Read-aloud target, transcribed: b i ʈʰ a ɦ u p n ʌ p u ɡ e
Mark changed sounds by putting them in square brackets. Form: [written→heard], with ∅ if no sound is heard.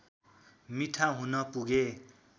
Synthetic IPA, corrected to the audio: [b→m] i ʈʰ a ɦ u [p→∅] n ʌ p u ɡ e